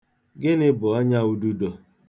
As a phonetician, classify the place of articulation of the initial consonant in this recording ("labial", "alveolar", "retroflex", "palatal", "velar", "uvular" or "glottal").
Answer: velar